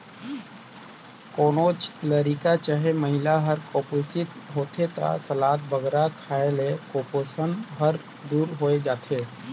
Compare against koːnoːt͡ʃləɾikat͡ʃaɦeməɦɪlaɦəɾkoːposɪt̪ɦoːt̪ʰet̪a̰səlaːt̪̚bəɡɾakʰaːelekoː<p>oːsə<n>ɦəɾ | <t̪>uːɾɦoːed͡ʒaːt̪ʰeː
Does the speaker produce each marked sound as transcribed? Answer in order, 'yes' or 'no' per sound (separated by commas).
yes, yes, no